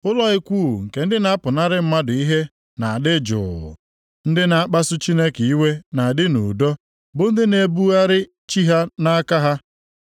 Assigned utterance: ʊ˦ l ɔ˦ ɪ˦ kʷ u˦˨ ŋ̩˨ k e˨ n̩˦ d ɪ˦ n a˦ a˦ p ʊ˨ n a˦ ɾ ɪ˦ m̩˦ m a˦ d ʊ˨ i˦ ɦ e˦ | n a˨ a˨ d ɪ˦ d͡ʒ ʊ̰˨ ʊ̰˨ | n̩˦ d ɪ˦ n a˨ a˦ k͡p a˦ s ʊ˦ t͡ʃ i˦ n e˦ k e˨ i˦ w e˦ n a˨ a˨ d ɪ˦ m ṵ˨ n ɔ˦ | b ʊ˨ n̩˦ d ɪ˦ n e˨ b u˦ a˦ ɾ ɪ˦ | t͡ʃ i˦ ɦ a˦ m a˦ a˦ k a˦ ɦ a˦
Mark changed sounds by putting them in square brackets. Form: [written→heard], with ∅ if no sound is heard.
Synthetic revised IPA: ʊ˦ l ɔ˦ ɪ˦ kʷ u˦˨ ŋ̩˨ k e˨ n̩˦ d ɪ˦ n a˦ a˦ p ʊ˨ n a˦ ɾ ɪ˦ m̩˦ m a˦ d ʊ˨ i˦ ɦ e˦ | n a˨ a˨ d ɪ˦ d͡ʒ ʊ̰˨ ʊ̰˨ | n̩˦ d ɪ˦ n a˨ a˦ k͡p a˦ s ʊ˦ t͡ʃ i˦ n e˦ k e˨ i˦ w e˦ n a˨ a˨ d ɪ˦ [m→n] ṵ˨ [n→d] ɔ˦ | b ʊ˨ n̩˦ d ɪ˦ n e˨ b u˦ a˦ ɾ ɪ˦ | t͡ʃ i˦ ɦ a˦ [m→n] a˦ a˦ k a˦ ɦ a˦